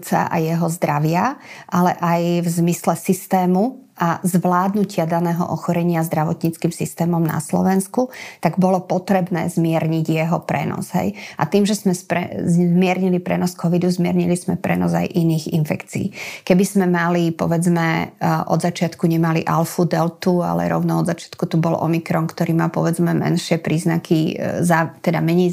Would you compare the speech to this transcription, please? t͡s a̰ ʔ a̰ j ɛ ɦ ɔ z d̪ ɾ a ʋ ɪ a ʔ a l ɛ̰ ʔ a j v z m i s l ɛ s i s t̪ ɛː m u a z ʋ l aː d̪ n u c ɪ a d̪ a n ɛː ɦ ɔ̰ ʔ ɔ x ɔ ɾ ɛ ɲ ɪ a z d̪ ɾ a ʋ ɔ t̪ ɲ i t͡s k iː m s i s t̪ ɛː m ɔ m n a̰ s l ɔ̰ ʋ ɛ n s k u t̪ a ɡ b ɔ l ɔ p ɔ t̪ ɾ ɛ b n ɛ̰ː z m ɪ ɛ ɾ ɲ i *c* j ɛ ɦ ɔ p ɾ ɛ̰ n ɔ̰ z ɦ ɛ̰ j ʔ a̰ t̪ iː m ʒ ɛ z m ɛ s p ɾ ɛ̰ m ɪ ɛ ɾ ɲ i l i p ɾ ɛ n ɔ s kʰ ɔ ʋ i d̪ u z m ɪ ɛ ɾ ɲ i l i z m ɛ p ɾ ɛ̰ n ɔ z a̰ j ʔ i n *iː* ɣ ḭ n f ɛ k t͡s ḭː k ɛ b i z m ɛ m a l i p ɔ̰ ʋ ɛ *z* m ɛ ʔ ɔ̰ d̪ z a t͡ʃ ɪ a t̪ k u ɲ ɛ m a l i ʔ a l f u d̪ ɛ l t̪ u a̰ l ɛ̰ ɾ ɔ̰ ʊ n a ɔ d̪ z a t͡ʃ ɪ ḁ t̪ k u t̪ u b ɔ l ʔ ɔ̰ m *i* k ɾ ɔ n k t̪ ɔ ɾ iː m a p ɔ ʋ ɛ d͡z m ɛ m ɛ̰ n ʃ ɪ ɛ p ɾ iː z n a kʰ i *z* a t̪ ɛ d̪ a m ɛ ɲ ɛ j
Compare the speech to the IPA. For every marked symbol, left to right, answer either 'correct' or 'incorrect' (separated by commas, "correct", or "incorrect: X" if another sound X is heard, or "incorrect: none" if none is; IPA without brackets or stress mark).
incorrect: ɟ, correct, incorrect: d͡z, correct, correct